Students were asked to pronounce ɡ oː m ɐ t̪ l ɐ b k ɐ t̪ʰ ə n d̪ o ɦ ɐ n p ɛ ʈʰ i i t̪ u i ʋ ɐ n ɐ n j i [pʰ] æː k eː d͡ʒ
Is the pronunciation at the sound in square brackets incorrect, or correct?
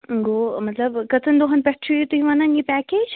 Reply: incorrect